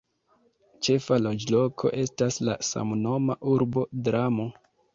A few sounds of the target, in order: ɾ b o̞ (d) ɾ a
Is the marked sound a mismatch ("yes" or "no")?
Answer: no